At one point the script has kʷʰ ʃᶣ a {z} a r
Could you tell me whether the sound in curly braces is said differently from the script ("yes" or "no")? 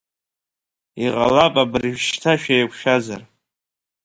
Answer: no